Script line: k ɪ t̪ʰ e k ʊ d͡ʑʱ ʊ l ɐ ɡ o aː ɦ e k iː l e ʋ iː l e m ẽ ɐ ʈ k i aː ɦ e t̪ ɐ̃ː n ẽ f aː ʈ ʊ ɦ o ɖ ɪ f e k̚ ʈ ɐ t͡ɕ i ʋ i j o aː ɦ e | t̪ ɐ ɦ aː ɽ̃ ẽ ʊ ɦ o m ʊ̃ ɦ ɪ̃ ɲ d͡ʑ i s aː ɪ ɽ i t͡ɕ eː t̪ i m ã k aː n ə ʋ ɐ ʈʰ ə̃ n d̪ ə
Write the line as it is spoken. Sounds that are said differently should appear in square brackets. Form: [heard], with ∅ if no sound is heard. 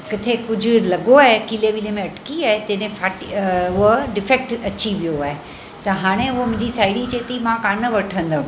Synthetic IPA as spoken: k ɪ t̪ʰ e k ʊ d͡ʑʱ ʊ l ɐ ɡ o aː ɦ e k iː l e ʋ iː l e m ẽ ɐ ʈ k i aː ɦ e t̪ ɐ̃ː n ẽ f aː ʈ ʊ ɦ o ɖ ɪ f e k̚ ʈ ɐ t͡ɕ i ʋ i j o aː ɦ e | t̪ ɐ ɦ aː ɽ̃ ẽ ʊ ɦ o m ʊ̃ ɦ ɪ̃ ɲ d͡ʑ i s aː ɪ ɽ i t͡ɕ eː t̪ i m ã k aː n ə ʋ ɐ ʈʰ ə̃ n d̪ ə